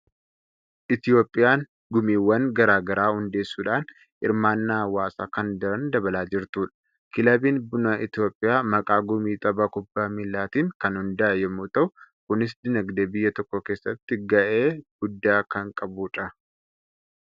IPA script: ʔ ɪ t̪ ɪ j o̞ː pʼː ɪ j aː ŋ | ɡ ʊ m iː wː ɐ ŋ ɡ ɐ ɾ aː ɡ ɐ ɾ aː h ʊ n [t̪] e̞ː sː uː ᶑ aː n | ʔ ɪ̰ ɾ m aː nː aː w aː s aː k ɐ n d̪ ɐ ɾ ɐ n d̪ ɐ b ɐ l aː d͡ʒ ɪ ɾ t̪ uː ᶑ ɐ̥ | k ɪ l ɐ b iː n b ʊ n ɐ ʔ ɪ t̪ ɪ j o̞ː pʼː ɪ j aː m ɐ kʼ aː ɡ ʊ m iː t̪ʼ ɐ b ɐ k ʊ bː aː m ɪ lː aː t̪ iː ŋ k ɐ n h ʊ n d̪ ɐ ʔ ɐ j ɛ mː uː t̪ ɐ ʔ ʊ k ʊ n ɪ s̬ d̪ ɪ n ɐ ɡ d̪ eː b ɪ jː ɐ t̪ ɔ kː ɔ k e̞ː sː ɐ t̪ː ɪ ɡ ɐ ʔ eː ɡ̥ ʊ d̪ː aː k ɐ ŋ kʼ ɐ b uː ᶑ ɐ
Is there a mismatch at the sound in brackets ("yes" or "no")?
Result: yes